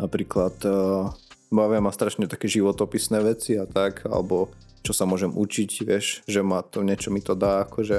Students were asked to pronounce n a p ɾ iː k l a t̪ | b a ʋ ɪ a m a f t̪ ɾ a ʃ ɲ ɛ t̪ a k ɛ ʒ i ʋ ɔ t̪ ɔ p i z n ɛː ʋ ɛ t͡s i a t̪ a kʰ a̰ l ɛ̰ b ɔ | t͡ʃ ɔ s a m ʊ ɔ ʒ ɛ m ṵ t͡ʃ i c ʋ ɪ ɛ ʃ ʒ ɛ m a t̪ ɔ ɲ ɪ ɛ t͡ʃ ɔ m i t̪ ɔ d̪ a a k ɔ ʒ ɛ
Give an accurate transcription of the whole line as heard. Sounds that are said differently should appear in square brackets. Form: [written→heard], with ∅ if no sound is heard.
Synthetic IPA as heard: n a p ɾ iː k l a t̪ | b a ʋ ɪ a m a [f→s] t̪ ɾ a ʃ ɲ ɛ t̪ a k ɛ ʒ i ʋ ɔ t̪ ɔ p i [z→s] n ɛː ʋ ɛ t͡s i a t̪ a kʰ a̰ l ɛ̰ b ɔ | t͡ʃ ɔ s a m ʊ ɔ ʒ ɛ m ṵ t͡ʃ i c ʋ ɪ ɛ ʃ ʒ ɛ m a t̪ ɔ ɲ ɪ ɛ t͡ʃ ɔ m i t̪ ɔ d̪ a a k ɔ ʒ ɛ